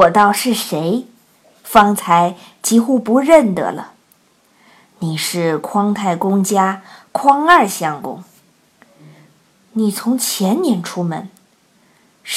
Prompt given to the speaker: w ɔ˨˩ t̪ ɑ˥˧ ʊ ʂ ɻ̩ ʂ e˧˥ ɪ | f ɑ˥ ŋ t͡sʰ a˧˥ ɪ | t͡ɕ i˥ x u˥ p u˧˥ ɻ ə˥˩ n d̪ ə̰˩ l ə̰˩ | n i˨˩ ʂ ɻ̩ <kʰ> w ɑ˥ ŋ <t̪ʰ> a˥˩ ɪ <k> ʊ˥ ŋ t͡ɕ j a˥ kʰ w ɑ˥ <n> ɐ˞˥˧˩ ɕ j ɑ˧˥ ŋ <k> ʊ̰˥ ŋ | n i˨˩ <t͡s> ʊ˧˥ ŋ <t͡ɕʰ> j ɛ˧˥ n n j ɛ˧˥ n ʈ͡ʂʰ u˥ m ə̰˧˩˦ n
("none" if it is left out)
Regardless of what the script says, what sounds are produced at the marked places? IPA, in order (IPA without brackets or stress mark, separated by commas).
kʰ, t̪ʰ, k, ŋ, k, t͡sʰ, t͡ɕʰ